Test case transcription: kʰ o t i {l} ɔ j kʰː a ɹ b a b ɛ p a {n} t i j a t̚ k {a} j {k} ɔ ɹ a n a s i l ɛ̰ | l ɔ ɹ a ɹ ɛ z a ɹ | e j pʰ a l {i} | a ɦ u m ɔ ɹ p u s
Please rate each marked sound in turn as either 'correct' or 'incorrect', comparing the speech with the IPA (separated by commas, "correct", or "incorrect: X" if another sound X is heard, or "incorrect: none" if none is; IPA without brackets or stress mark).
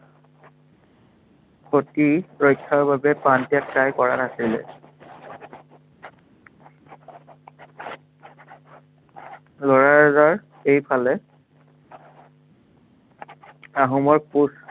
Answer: incorrect: ɹ, correct, correct, correct, incorrect: ɛ